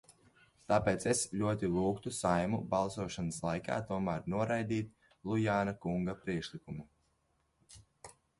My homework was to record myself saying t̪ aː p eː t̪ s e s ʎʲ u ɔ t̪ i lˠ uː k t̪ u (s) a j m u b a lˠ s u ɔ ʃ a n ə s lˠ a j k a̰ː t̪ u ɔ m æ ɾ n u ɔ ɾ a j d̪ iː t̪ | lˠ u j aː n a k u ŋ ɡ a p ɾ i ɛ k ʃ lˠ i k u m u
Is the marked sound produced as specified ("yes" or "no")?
yes